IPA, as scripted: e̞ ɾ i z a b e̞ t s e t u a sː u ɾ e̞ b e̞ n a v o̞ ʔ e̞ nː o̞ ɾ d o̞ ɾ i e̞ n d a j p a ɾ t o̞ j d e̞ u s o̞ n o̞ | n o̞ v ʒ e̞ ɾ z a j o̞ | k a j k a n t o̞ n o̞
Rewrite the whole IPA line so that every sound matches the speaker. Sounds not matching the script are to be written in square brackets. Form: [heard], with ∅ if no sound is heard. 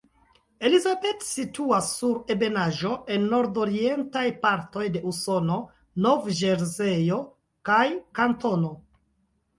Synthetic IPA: e̞ [l] i z a b e̞ t s [i] t u a sː u ɾ e̞ b e̞ n a [ʒ] o̞ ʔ e̞ nː o̞ ɾ d o̞ ɾ i e̞ n [t] a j p a ɾ t o̞ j d e̞ u s o̞ n o̞ | n o̞ v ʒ e̞ ɾ z [e] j o̞ | k a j k a n t o̞ n o̞